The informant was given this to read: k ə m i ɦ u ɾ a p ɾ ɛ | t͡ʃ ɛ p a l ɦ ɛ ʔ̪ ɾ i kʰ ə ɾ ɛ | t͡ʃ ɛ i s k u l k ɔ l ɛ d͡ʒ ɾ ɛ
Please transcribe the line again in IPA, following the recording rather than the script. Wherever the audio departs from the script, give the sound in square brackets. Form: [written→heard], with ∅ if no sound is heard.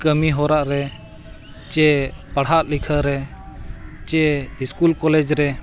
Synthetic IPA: k ə m i ɦ [u→ɔ] ɾ a [p→ʔ] ɾ ɛ | t͡ʃ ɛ p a [l→ɽ] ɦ [ɛ→a] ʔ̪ [ɾ→l] i kʰ ə ɾ ɛ | t͡ʃ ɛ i s k u l k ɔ l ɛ d͡ʒ ɾ ɛ